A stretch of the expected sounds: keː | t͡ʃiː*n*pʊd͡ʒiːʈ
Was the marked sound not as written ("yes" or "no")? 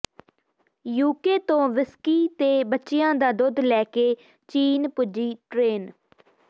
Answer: no